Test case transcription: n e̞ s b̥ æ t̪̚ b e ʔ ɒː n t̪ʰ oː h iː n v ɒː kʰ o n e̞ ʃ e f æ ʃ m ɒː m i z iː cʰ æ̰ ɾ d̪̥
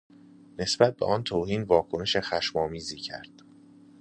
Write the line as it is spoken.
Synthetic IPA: n e̞ s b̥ æ t̪̚ b e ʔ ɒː n t̪ʰ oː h iː n v ɒː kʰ o n e̞ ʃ e x æ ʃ m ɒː m iː z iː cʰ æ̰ ɾ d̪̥